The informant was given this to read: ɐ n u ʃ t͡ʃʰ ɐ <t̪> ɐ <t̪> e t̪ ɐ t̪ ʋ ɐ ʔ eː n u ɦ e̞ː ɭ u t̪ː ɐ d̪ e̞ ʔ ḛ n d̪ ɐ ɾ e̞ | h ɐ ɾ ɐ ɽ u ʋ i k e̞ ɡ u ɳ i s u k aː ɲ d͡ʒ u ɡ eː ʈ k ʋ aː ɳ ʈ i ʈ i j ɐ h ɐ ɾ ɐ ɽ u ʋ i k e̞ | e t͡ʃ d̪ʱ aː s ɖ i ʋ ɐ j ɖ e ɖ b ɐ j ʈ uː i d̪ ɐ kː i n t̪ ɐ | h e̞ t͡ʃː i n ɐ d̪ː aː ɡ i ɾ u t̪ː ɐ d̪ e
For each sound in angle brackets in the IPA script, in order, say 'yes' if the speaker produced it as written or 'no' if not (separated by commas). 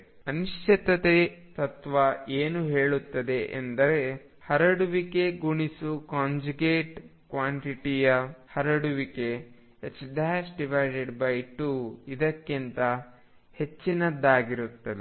yes, yes